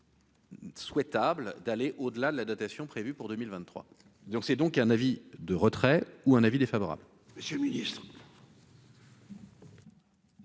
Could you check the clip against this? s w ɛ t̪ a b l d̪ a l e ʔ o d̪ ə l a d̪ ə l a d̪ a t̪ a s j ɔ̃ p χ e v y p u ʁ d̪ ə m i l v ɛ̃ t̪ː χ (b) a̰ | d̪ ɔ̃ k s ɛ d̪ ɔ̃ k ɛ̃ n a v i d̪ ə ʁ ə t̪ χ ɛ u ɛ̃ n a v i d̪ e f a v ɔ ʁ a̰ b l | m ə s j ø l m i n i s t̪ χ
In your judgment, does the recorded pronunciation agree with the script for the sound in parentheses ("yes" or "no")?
no